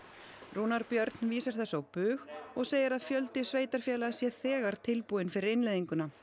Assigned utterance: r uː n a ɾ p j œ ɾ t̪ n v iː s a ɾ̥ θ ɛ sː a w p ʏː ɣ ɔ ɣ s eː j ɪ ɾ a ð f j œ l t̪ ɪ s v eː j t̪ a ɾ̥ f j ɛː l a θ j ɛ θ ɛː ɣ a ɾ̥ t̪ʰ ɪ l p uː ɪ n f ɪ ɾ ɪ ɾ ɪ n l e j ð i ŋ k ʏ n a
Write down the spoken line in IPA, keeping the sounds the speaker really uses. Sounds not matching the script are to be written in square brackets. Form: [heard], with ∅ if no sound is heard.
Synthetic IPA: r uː n a ɾ p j œ ɾ t̪ n v iː s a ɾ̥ θ ɛ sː a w p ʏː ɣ ɔ ɣ s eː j ɪ ɾ a ð f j œ l t̪ ɪ s v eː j t̪ a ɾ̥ f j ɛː l a [s] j ɛ θ ɛː ɣ a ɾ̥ t̪ʰ ɪ l p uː ɪ n f ɪ ɾ ɪ ɾ ɪ n l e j ð i ŋ k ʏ n a

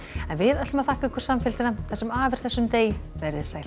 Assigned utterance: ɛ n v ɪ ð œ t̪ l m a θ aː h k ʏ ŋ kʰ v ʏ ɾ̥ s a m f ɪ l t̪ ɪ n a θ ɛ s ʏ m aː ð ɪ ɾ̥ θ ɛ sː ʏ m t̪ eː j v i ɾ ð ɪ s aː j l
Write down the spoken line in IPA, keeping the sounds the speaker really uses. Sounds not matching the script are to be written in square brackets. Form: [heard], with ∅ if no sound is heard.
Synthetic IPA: ɛ n v ɪ ð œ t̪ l m a θ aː h k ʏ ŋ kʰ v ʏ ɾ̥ s a m f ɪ l t̪ ɪ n a θ ɛ s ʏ m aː [v] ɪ ɾ̥ θ ɛ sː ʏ m t̪ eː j v [ɛ] ɾ ð ɪ s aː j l

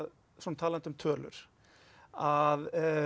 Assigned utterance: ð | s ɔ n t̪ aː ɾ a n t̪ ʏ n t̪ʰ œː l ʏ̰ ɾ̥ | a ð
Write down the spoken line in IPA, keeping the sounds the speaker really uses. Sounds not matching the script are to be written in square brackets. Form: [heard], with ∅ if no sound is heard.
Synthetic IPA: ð | s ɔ n [t̪ʰ] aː [l] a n t̪ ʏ [m] t̪ʰ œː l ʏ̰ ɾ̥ | a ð

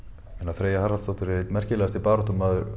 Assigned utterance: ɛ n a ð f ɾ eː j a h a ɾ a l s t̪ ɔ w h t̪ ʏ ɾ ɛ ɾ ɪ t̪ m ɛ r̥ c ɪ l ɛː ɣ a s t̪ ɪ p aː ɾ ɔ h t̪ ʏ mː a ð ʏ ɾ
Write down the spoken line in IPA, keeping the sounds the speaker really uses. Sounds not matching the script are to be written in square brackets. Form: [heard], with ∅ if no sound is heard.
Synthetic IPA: ɛ n a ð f ɾ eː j a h a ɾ a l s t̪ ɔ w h t̪ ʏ ɾ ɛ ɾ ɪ t̪ m ɛ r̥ c ɪ l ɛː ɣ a s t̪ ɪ p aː ɾ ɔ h t̪ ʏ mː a ð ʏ ɾ

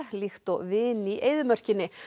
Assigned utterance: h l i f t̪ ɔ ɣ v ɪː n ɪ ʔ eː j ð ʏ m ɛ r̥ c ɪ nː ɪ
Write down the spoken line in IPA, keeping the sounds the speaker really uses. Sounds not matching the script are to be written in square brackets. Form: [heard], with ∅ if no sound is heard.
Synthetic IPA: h l i [x] t̪ ɔ ɣ v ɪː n [i] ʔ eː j ð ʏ m [œ] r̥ c ɪ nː ɪ

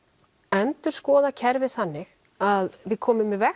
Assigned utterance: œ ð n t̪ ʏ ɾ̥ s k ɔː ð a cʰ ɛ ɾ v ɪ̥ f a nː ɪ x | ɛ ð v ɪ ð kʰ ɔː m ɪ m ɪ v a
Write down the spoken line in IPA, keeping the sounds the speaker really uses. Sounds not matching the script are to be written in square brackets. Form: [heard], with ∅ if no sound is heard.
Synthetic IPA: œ [∅] n t̪ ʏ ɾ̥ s k ɔː ð a cʰ ɛ ɾ v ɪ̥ [θ] a nː ɪ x | [a] ð v ɪ ð kʰ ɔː m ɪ m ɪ v [ɛ]

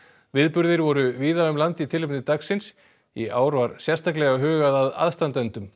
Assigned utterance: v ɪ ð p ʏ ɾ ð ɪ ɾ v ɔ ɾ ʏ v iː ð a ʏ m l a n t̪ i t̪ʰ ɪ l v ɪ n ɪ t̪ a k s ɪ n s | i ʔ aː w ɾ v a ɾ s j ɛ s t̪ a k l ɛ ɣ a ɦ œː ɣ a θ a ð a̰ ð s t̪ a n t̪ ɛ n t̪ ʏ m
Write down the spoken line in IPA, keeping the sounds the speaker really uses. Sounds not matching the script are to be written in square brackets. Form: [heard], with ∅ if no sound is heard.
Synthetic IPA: v ɪ ð p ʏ ɾ ð ɪ ɾ v ɔ ɾ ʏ v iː ð a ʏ m l a n t̪ i t̪ʰ ɪ l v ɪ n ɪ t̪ a k s ɪ n s | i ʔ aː w ɾ v a ɾ s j ɛ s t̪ a k l ɛ ɣ a ɦ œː ɣ a [ð] a ð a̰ ð s t̪ a n t̪ ɛ n t̪ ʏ m

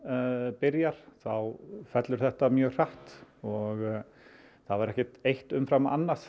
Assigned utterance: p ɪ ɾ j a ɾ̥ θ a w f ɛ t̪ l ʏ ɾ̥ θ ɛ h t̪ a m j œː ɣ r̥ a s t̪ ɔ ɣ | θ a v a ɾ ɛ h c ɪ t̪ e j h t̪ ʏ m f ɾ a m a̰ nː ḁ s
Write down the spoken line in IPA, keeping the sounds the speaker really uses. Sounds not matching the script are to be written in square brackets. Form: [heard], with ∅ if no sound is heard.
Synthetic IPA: p ɪ ɾ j a ɾ̥ θ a w f ɛ t̪ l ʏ ɾ̥ θ ɛ h t̪ a m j œː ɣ r̥ a [h] t̪ ɔ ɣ | θ a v a ɾ ɛ h c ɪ t̪ e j h t̪ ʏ m f ɾ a m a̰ nː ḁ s

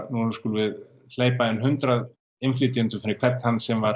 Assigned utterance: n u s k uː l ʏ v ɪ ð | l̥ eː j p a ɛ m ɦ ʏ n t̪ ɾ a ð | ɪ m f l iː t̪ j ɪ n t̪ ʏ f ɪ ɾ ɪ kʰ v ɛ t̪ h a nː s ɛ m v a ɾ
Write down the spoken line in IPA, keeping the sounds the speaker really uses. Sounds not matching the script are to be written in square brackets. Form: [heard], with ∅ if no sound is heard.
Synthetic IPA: n u s k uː l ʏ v ɪ ð | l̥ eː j p a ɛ [n] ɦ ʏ n t̪ ɾ a ð | ɪ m f l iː t̪ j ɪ n t̪ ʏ f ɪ ɾ ɪ kʰ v ɛ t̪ h a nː s ɛ m v a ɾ

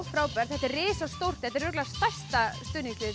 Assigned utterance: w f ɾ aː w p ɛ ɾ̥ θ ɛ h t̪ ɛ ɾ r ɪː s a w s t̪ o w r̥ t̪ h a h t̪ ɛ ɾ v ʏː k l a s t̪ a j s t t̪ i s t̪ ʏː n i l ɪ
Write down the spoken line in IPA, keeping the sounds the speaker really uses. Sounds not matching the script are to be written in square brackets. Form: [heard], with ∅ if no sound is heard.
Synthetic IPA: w f ɾ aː w p ɛ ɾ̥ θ ɛ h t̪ ɛ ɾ r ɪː s a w s t̪ o w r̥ t̪ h [ɛ] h t̪ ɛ ɾ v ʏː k l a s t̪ a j s t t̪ [a] s t̪ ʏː n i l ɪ

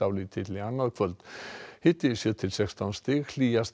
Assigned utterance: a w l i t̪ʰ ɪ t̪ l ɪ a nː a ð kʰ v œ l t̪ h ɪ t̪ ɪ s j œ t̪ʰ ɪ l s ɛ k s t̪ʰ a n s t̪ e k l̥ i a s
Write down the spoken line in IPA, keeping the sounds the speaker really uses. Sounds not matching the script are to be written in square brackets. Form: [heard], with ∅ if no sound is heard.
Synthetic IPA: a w l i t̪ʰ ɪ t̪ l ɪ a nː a ð kʰ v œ l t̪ h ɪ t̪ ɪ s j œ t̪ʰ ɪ l s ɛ k s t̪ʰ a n s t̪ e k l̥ i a s

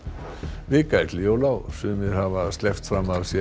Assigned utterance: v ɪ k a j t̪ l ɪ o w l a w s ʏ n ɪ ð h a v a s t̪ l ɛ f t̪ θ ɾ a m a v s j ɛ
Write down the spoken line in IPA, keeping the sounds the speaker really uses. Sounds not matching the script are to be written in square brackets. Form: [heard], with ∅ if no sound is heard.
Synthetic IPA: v ɪ k a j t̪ l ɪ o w l a w s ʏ [m] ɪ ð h a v a s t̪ l ɛ f t̪ [f] ɾ a m a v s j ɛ

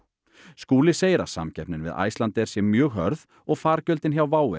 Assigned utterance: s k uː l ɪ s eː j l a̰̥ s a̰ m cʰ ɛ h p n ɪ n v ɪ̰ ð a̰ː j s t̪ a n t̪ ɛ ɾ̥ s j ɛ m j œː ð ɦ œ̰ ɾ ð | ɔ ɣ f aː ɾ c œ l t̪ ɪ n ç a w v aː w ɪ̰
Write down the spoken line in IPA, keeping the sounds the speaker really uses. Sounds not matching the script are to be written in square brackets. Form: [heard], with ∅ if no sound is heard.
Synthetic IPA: s k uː l ɪ s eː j [ɾ] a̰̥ s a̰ m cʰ ɛ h p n ɪ n v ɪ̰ ð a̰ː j s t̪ a n t̪ ɛ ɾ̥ s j ɛ m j œː [ɣ] ɦ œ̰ ɾ ð | ɔ ɣ f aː ɾ c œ l t̪ ɪ n ç a w v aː w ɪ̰

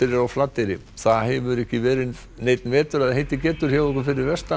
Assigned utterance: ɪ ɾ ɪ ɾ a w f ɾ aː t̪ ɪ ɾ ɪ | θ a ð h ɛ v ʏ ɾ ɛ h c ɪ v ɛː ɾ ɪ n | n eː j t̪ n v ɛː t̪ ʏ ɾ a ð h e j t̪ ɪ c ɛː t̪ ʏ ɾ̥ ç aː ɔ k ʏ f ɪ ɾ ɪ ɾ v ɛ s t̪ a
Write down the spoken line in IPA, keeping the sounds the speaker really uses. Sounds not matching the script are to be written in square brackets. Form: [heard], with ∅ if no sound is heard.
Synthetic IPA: ɪ ɾ ɪ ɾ a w f [l] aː t̪ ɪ ɾ ɪ | θ a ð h ɛ v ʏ ɾ ɛ h c ɪ v ɛː ɾ ɪ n | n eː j t̪ n v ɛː t̪ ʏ ɾ a ð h e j t̪ ɪ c ɛː t̪ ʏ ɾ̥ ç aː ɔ k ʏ f ɪ ɾ ɪ ɾ v ɛ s t̪ a

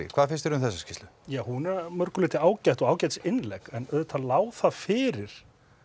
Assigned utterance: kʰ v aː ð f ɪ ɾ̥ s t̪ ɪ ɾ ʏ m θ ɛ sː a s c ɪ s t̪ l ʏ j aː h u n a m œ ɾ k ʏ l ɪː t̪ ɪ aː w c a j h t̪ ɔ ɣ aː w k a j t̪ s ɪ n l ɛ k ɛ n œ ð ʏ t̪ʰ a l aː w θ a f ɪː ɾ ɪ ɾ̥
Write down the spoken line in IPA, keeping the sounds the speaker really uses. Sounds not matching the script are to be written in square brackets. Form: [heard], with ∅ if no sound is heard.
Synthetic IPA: kʰ v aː ð f ɪ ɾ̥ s t̪ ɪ ɾ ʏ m θ ɛ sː a s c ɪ s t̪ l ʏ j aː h u n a m œ ɾ k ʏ l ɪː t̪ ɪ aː w c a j h t̪ ɔ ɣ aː w [c] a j t̪ s ɪ n l ɛ k ɛ n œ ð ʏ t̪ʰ a l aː w θ a f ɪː ɾ ɪ ɾ̥

